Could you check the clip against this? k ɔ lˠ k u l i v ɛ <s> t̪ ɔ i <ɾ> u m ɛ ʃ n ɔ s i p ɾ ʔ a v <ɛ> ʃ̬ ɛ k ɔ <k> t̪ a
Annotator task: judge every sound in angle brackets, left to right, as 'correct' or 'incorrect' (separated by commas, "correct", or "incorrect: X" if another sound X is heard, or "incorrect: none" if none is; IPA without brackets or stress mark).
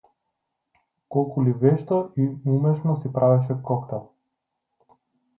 incorrect: ʃ, incorrect: none, correct, correct